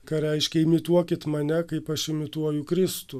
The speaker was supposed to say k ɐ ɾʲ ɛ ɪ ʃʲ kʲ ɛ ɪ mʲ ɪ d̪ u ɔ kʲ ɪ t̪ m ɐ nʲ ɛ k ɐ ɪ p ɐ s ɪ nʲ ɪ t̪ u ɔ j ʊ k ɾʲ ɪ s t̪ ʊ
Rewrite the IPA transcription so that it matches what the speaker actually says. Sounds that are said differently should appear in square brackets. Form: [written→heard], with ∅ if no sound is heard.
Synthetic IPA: k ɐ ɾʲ ɛ ɪ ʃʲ kʲ ɛ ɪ mʲ ɪ [d̪→t̪] u ɔ kʲ ɪ t̪ m ɐ nʲ ɛ k ɐ ɪ p ɐ [s→ʃ] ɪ [nʲ→mʲ] ɪ t̪ u ɔ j ʊ k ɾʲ ɪ s t̪ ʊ

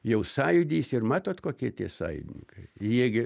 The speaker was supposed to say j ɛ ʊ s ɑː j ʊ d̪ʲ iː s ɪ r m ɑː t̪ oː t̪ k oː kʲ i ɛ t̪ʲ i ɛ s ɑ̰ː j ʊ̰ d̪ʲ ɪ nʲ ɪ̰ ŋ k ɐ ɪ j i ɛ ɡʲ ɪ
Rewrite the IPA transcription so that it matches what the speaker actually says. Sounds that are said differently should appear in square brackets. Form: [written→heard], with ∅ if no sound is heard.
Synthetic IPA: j ɛ ʊ s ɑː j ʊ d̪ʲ iː s ɪ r m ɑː t̪ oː t̪ k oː kʲ i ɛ t̪ʲ i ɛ s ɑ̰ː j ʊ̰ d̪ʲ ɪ nʲ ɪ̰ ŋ k ɐ ɪ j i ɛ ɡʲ ɪ

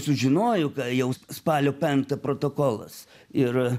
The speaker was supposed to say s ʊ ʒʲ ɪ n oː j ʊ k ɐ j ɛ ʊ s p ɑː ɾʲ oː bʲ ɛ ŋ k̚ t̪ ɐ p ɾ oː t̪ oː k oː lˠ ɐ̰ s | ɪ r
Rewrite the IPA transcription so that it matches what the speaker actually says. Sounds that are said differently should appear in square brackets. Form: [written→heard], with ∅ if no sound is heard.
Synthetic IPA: s ʊ ʒʲ ɪ n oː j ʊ k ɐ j ɛ ʊ s p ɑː [ɾʲ→lʲ] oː [bʲ→pʲ] ɛ ŋ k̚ t̪ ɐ p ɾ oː t̪ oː k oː lˠ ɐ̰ s | ɪ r

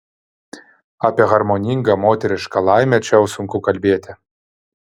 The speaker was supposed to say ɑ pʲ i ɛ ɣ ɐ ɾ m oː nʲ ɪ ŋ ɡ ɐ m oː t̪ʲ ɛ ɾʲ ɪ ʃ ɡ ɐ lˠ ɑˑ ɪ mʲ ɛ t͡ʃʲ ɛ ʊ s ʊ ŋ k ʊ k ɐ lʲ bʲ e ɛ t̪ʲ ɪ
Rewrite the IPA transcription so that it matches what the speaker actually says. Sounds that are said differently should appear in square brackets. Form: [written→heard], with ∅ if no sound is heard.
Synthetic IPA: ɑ pʲ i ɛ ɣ ɐ ɾ m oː nʲ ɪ ŋ ɡ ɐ m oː t̪ʲ ɛ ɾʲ ɪ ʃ [ɡ→k] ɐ lˠ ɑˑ ɪ mʲ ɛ t͡ʃʲ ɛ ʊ s ʊ ŋ k ʊ k ɐ lʲ bʲ e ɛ t̪ʲ ɪ

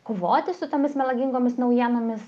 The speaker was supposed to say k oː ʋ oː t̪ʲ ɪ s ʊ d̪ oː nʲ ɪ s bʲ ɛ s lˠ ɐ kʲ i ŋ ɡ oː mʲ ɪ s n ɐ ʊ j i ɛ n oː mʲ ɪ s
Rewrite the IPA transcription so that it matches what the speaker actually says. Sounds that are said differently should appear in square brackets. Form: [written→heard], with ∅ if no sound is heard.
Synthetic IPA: k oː ʋ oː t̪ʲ ɪ s ʊ [d̪→t̪] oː [nʲ→mʲ] ɪ s [bʲ→mʲ] ɛ [s→∅] lˠ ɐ [kʲ→ɡʲ] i ŋ ɡ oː mʲ ɪ s n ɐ ʊ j i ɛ n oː mʲ ɪ s

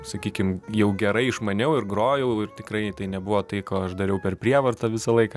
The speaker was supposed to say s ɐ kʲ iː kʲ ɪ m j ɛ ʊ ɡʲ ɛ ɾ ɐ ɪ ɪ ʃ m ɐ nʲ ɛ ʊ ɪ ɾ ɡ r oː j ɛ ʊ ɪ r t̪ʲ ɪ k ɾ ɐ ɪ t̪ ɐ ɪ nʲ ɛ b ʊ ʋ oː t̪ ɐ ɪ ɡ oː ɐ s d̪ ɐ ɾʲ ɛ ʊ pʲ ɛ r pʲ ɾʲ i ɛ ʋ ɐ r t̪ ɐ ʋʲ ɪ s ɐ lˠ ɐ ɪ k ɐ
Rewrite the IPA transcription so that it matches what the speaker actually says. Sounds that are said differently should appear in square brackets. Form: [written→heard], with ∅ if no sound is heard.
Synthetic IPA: s ɐ kʲ iː kʲ ɪ m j ɛ ʊ ɡʲ ɛ ɾ ɐ ɪ ɪ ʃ m ɐ nʲ ɛ ʊ ɪ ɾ ɡ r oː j ɛ ʊ ɪ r t̪ʲ ɪ k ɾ ɐ ɪ t̪ ɐ ɪ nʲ ɛ b ʊ ʋ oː t̪ ɐ ɪ [ɡ→k] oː ɐ [s→ʃ] d̪ ɐ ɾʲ ɛ ʊ pʲ ɛ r pʲ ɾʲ i ɛ ʋ ɐ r t̪ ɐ ʋʲ ɪ s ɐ lˠ ɐ ɪ k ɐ

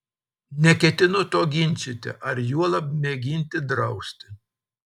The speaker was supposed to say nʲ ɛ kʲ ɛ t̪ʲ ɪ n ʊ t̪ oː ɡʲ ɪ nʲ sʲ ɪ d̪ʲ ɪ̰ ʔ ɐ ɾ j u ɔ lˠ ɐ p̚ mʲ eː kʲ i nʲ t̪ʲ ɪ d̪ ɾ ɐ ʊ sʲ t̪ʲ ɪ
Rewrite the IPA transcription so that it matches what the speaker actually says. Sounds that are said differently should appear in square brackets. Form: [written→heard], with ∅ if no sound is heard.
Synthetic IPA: nʲ ɛ kʲ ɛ t̪ʲ ɪ n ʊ t̪ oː ɡʲ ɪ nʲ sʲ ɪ [d̪ʲ→t̪ʲ] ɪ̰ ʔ ɐ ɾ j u ɔ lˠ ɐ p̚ mʲ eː [kʲ→ɡʲ] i nʲ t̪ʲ ɪ d̪ ɾ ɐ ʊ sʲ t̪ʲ ɪ

